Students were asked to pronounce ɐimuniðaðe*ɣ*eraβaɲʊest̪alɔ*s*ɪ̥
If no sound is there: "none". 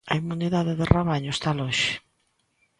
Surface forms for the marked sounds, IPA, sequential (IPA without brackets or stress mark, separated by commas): ð, ʃ